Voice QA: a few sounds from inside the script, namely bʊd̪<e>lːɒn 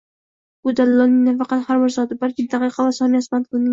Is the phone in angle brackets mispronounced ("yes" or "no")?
yes